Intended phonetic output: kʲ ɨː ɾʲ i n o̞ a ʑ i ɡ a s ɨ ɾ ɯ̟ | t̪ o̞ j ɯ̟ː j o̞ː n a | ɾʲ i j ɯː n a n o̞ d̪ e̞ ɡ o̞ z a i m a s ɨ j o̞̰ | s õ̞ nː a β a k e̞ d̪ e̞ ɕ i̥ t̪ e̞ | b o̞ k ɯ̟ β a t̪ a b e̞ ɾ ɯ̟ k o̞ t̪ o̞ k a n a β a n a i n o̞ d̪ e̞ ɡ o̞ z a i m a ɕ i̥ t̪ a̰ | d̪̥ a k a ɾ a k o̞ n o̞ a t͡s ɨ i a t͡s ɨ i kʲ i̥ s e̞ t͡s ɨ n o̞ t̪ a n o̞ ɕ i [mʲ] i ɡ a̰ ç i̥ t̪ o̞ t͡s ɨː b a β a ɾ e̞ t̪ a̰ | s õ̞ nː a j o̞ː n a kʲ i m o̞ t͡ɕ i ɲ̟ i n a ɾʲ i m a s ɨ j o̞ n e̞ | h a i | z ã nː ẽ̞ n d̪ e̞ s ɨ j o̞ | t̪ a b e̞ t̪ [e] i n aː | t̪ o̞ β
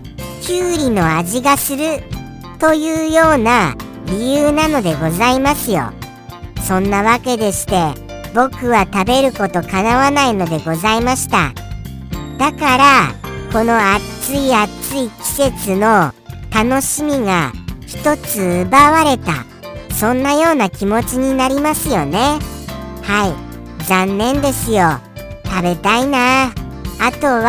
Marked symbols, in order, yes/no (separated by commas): yes, no